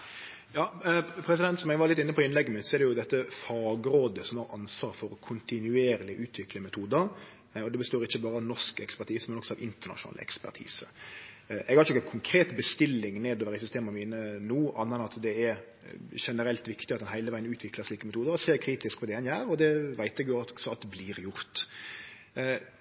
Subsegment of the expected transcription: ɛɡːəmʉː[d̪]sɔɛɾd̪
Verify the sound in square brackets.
incorrect: t̪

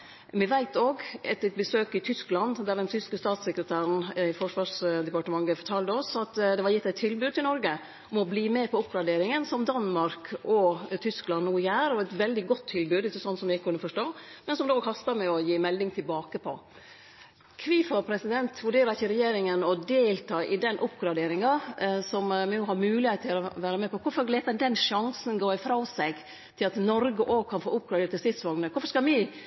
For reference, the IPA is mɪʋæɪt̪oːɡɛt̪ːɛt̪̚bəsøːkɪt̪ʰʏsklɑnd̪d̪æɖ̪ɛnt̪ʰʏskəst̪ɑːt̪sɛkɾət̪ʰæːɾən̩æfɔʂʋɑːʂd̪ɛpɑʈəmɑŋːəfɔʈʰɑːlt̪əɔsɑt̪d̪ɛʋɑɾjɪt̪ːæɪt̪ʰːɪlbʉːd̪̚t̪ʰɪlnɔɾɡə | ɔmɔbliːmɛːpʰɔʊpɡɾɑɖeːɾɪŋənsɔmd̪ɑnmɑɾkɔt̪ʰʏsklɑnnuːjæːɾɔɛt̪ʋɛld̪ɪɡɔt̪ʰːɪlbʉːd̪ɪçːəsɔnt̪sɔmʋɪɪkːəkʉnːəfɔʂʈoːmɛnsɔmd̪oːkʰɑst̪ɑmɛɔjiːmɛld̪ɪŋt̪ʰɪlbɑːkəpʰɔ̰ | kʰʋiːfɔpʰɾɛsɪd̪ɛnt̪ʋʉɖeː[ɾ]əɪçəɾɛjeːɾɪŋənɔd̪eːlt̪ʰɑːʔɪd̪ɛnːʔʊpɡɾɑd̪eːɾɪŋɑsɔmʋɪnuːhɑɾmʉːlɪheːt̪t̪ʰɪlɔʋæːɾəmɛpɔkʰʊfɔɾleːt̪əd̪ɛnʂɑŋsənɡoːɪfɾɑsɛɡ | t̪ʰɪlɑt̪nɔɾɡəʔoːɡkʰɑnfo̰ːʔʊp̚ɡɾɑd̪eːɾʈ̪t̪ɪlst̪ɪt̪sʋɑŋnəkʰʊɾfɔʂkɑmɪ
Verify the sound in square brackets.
correct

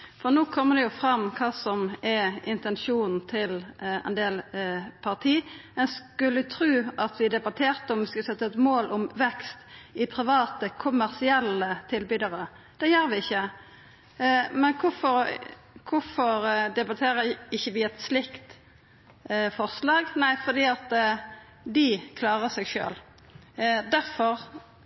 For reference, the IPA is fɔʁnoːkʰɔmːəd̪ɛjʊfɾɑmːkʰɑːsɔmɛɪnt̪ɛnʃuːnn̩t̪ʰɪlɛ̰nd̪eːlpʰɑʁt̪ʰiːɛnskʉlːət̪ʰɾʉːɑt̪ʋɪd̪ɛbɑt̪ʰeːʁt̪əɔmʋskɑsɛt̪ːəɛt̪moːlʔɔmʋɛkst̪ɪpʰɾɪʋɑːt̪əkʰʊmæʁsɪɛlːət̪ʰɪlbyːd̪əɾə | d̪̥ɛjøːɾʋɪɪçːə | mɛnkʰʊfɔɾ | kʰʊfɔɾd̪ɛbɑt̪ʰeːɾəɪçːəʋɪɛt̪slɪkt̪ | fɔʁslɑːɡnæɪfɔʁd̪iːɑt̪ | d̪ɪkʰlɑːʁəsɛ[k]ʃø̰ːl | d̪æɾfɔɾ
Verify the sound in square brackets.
incorrect: ɡ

